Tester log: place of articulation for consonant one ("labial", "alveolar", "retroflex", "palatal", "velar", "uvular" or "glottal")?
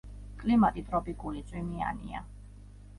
velar